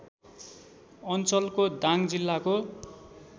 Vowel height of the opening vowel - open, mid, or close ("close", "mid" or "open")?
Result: mid